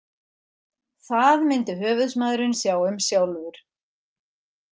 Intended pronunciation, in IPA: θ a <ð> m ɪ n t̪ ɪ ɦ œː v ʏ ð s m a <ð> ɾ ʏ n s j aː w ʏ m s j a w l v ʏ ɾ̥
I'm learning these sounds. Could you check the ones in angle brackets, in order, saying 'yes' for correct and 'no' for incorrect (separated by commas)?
yes, yes